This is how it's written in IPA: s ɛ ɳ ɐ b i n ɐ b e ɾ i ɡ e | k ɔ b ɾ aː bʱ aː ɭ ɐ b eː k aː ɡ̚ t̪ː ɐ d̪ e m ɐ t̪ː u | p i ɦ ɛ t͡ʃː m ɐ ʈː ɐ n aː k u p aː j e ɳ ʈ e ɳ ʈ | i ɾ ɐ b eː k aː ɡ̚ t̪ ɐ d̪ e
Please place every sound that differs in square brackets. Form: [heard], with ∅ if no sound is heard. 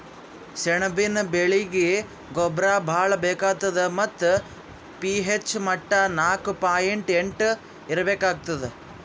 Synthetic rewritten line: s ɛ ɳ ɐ b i n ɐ b e [ɭ] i ɡ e | [ɡ] ɔ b ɾ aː bʱ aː ɭ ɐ b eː k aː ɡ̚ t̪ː ɐ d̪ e m ɐ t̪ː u | p i ɦ [e] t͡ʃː m ɐ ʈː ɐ n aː k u p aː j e ɳ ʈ e ɳ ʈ | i ɾ ɐ b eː k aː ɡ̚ t̪ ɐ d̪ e